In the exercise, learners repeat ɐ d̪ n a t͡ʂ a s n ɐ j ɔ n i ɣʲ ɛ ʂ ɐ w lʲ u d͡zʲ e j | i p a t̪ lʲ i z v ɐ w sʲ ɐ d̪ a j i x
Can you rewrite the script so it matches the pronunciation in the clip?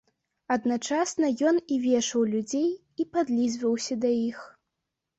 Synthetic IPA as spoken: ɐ d̪ n a t͡ʂ a s n ɐ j ɔ n i vʲ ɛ ʂ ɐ w lʲ u d͡zʲ e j | i p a d̪ lʲ i z v ɐ w sʲ ɐ d̪ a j i x